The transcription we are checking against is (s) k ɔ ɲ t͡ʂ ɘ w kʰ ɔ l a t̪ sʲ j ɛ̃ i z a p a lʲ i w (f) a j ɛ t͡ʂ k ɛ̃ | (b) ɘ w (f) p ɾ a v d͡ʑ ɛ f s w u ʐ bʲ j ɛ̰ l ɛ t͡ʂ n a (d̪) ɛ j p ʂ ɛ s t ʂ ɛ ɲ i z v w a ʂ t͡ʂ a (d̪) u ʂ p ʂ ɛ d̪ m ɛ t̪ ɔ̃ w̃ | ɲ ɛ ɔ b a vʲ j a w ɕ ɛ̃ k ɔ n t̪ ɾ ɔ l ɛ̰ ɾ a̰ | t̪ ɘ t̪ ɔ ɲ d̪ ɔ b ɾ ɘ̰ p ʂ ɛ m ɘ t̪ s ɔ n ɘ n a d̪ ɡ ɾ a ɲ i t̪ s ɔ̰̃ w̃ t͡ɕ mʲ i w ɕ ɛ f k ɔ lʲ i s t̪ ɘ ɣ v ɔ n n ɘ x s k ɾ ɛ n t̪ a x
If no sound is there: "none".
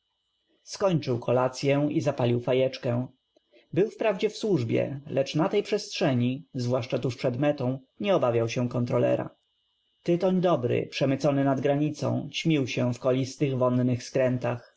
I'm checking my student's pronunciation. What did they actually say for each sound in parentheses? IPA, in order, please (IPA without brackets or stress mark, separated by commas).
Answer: s, f, b, f, t̪, t̪